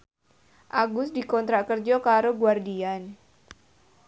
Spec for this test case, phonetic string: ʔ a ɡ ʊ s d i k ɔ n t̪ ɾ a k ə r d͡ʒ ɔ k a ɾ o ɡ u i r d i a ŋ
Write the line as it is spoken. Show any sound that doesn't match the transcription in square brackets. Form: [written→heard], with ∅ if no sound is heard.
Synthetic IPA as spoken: ʔ a ɡ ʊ s d i k ɔ n t̪ ɾ a k ə r d͡ʒ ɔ k a ɾ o ɡ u [i→a] r d i a [ŋ→n]